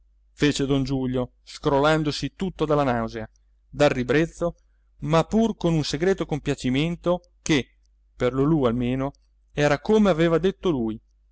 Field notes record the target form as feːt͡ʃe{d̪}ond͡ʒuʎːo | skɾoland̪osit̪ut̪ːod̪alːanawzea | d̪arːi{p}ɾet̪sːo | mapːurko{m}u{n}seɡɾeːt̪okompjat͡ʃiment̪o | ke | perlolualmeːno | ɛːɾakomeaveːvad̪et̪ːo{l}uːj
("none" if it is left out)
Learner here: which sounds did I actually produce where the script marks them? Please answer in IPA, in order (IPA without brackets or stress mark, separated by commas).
d̪, b, n, n, l